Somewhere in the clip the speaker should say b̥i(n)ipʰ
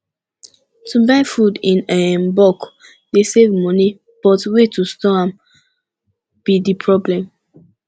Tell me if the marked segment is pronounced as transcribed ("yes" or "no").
no